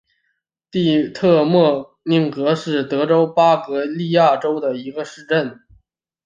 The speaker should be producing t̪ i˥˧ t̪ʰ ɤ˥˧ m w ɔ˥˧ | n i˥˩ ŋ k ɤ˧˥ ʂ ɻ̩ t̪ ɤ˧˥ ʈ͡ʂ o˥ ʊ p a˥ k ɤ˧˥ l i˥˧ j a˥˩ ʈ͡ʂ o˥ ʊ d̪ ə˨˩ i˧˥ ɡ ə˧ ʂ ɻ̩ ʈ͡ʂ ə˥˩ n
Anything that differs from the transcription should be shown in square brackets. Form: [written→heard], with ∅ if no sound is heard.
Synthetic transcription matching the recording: t̪ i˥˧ t̪ʰ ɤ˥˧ m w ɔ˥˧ | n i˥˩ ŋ k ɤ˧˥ ʂ ɻ̩ t̪ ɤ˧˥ ʈ͡ʂ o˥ ʊ p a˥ k ɤ˧˥ l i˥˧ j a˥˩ ʈ͡ʂ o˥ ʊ d̪ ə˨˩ i˧˥ ɡ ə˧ ʂ ɻ̩ ʈ͡ʂ ə˥˩ n

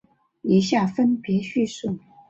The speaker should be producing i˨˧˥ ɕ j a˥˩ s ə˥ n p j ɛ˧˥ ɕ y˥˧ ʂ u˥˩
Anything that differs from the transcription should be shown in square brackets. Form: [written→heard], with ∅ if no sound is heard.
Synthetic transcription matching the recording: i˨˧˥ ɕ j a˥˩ [s→f] ə˥ n p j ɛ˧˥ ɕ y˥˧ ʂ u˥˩

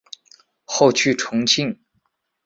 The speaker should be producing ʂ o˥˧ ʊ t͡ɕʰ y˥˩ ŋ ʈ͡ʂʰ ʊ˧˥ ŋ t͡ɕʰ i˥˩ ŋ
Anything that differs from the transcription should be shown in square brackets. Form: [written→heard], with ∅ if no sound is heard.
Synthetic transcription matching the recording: [ʂ→x] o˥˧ ʊ t͡ɕʰ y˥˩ [ŋ→∅] ʈ͡ʂʰ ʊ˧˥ ŋ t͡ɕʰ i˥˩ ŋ

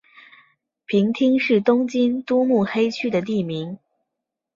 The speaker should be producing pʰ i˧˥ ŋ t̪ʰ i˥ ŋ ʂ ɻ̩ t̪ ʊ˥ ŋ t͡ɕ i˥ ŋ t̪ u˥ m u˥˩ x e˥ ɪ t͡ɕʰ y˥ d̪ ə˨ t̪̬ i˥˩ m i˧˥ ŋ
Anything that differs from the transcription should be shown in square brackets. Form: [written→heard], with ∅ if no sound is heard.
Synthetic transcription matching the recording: pʰ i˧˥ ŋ t̪ʰ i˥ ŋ ʂ ɻ̩ t̪ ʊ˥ ŋ t͡ɕ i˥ [ŋ→n] t̪ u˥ m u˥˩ x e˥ ɪ t͡ɕʰ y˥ d̪ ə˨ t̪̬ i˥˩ m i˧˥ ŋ

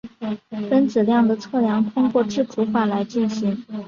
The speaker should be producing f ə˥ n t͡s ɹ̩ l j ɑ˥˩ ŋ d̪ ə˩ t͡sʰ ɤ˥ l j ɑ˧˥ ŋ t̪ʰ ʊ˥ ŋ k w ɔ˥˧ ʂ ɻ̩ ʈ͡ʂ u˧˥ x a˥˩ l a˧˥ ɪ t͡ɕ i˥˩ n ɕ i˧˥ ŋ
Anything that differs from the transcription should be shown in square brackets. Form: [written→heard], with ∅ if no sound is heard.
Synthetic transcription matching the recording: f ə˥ n t͡s ɹ̩ l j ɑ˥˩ ŋ d̪ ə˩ t͡sʰ [ɤ˥→ɤ˥˩] l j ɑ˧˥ ŋ t̪ʰ ʊ˥ ŋ k w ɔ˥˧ [ʂ→ʈ͡ʂ] ɻ̩ ʈ͡ʂ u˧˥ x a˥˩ l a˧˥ ɪ t͡ɕ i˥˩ n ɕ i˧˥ ŋ

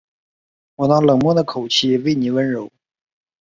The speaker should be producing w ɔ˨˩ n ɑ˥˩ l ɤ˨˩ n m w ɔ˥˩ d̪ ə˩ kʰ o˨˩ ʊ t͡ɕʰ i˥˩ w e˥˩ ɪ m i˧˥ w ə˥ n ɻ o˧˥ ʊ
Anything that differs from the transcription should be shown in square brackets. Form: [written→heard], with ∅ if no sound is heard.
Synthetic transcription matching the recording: w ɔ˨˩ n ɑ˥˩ l ɤ˨˩ [n→ŋ] m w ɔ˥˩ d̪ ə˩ kʰ o˨˩ ʊ t͡ɕʰ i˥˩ w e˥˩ ɪ [m→n] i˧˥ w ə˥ n ɻ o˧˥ ʊ

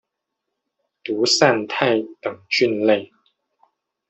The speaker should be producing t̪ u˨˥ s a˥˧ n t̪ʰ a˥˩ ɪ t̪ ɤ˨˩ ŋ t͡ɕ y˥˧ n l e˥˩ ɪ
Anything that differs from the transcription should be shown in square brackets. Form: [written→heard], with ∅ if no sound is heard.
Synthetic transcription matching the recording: t̪ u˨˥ s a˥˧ n t̪ʰ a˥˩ ɪ t̪ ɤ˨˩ ŋ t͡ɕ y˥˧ n l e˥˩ ɪ

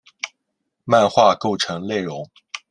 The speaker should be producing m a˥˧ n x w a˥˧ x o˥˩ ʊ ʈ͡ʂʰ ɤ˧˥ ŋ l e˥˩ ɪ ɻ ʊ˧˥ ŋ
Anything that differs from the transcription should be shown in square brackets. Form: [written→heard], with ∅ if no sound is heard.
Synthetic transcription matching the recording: m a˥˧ n x w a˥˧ [x→k] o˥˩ ʊ ʈ͡ʂʰ ɤ˧˥ ŋ l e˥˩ ɪ ɻ ʊ˧˥ ŋ

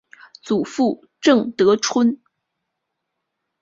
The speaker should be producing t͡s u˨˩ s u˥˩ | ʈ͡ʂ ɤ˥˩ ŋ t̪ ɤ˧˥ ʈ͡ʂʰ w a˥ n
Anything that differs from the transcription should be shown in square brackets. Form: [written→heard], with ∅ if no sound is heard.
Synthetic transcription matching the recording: t͡s u˨˩ [s→f] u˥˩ | ʈ͡ʂ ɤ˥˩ ŋ t̪ ɤ˧˥ ʈ͡ʂʰ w [a˥→ə˥] n

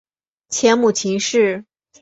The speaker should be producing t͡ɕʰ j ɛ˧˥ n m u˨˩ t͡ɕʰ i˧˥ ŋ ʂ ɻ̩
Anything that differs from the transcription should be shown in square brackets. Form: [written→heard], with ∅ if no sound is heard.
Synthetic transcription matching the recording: t͡ɕʰ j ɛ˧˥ n m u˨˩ t͡ɕʰ i˧˥ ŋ ʂ ɻ̩

